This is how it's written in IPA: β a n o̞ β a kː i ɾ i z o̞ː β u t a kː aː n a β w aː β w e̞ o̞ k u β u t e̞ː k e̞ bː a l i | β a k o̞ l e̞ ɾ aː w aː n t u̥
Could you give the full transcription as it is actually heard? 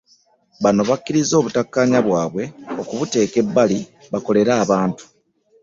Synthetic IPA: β a n o̞ β a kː i ɾ i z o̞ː β u t a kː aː ɲ a β w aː β w e̞ o̞ k u β u t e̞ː k e̞ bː a l i | β a k o̞ l e̞ ɾ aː β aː n t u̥